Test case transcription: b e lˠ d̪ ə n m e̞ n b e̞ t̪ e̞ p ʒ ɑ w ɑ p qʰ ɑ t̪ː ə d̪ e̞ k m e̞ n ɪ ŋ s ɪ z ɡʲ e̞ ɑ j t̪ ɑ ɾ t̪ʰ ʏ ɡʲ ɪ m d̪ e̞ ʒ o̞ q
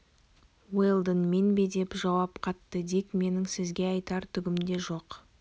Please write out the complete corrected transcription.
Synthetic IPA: w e lˠ d̪ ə n m e̞ n b e̞ d̪ e̞ p ʒ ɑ w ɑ p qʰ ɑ t̪ː ə d̪ e̞ k m e̞ n ɪ ŋ s ɪ z ɡʲ e̞ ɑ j t̪ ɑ ɾ t̪ʰ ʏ ɡʲ ɪ m d̪ e̞ ʒ o̞ q

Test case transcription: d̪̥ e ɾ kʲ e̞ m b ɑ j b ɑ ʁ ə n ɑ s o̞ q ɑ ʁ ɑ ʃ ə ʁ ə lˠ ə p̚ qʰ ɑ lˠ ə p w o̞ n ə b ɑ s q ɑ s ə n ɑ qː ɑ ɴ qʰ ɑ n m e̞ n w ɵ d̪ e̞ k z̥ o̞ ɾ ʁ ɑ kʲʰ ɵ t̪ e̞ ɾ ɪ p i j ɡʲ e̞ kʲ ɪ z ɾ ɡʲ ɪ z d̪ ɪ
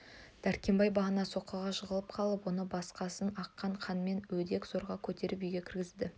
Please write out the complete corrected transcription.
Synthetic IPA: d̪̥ æ ɾ kʲ e̞ m b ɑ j b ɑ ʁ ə n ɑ s o̞ q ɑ ʁ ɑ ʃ ə ʁ ə lˠ ə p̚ qʰ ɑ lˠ ə p w o̞ n ə b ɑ s q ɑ s ə n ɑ qː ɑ ɴ qʰ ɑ n m e̞ n w ɵ d̪ e̞ k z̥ o̞ ɾ ʁ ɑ kʲʰ ɵ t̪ e̞ ɾ ɪ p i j ɡʲ e̞ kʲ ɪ ɾ ɡʲ ɪ z d̪ ɪ

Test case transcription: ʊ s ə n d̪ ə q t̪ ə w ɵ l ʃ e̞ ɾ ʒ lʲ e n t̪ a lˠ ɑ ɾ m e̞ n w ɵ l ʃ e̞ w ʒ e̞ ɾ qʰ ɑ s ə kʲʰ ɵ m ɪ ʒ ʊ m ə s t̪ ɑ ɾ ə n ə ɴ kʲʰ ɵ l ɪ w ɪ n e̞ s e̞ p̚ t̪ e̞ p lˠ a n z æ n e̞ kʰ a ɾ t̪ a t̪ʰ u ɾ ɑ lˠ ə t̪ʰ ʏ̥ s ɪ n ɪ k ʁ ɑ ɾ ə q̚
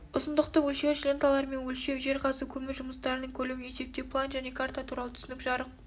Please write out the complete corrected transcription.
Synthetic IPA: ʊ s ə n d̪ ə q t̪ ə w ɵ l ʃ e̞ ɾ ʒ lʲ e n t̪ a lˠ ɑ ɾ m e̞ n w ɵ l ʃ e̞ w ʒ e̞ ɾ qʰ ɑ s ə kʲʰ ɵ m ɪ ʒ ʊ m ə s t̪ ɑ ɾ ə n ə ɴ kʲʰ ɵ l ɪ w ɪ n e̞ s e̞ p̚ t̪ e̞ p lˠ a n ʒ æ n e̞ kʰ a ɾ t̪ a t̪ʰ u ɾ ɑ lˠ ə t̪ʰ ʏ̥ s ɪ n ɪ k ʒ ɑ ɾ ə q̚

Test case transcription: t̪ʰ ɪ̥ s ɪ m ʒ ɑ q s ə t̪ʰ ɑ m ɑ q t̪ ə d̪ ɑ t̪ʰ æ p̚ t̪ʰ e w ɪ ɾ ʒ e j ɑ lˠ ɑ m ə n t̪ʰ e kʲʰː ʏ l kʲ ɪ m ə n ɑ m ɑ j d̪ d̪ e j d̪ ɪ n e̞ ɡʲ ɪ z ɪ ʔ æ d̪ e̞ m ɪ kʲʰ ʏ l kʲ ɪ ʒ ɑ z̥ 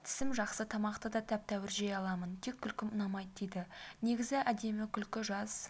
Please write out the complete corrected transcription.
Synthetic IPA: t̪ʰ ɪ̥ s ɪ m ʒ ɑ q s ə t̪ʰ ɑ m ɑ q t̪ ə d̪ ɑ t̪ʰ æ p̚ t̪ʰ æ w ɪ ɾ ʒ e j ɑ lˠ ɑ m ə n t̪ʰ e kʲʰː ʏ l kʲ ɪ m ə n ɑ m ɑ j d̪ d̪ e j d̪ ɪ n e̞ ɡʲ ɪ z ɪ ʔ æ d̪ e̞ m ɪ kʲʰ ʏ l kʲ ɪ ʒ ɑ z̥

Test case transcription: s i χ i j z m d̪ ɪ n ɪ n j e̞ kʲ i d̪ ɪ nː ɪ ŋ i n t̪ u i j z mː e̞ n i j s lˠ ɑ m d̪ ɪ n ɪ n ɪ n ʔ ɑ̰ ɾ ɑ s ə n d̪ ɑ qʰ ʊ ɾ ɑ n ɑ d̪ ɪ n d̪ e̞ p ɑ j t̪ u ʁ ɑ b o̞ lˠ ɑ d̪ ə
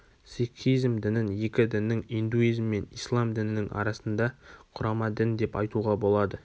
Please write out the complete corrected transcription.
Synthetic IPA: s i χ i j z m d̪ ɪ n ɪ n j e̞ kʲ ɪ d̪ ɪ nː ɪ ŋ i n d̪ u i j z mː e̞ n i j s lˠ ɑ m d̪ ɪ n ɪ n ɪ ŋ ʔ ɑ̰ ɾ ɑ s ə n d̪ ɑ qʰ ʊ ɾ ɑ m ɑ d̪ ɪ n d̪ e̞ p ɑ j t̪ u ʁ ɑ b o̞ lˠ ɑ d̪ ə

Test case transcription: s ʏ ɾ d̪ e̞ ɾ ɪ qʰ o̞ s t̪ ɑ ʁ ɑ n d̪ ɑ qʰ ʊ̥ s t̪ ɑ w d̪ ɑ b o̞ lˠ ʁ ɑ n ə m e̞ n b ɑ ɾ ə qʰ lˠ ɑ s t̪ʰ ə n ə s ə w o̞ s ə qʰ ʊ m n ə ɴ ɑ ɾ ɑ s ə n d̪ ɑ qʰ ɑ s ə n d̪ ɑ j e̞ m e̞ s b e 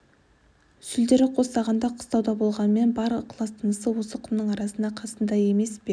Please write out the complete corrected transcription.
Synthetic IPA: s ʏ l d̪ e̞ ɾ ɪ qʰ o̞ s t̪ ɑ ʁ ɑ n d̪ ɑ qʰ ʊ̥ s t̪ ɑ w d̪ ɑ b o̞ lˠ ʁ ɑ n ə m e̞ n b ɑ ɾ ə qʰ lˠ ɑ s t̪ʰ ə n ə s ə w o̞ s ə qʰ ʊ m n ə ɴ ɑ ɾ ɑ s ə n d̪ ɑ qʰ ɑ s ə n d̪ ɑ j e̞ m e̞ s b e

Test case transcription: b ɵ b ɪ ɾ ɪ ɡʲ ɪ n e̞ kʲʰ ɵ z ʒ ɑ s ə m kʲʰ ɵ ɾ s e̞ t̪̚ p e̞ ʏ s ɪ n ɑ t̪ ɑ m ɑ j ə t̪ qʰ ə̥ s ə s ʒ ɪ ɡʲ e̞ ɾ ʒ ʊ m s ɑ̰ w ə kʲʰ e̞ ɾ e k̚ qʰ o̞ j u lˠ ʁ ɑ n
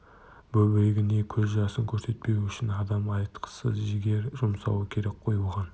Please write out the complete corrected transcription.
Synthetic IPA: b ɵ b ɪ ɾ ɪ ɡʲ ɪ n e̞ kʲʰ ɵ z ʒ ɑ s ə ŋ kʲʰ ɵ ɾ s e̞ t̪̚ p e̞ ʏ ʃ ɪ n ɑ d̪ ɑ m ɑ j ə t̪ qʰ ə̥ s ə z ʒ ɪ ɡʲ e̞ ɾ ʒ ʊ m s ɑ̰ w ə kʲʰ e̞ ɾ e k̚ qʰ o̞ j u lˠ ʁ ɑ n

